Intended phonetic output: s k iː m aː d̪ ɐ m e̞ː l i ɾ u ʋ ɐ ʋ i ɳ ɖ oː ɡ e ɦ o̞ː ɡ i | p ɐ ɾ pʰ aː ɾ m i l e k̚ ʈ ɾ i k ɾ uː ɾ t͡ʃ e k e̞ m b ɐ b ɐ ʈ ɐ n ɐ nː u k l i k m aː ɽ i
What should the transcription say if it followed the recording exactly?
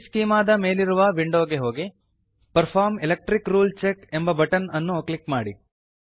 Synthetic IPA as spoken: s k iː m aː d̪ ɐ m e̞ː l i ɾ u ʋ ɐ ʋ i ɳ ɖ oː ɡ e ɦ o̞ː ɡ i | p ɐ ɾ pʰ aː ɾ m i l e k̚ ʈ ɾ i k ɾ uː l t͡ʃ e k e̞ m b ɐ b ɐ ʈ ɐ n ɐ nː u k l i k m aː ɽ i